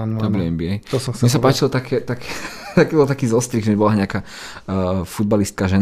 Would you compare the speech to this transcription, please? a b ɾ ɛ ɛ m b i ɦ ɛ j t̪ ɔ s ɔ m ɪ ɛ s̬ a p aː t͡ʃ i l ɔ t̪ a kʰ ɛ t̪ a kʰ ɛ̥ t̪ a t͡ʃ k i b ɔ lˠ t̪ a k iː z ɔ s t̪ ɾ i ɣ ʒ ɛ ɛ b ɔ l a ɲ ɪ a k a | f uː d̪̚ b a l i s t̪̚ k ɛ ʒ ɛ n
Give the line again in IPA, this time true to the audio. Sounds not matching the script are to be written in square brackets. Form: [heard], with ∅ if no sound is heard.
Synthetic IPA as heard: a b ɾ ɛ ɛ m b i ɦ ɛ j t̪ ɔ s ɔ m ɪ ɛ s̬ a p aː t͡ʃ i l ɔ t̪ a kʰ ɛ t̪ a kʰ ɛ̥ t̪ a [∅] k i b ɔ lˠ t̪ a k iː z ɔ s t̪ ɾ i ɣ ʒ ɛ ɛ b ɔ l a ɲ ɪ a k a | f [u] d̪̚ b a l i s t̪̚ k [a] ʒ ɛ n